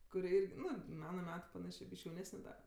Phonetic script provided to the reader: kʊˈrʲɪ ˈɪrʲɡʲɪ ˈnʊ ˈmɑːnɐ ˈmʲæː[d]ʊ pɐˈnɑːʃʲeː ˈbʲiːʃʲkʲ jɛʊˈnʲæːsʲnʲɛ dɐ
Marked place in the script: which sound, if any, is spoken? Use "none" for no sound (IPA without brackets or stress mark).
t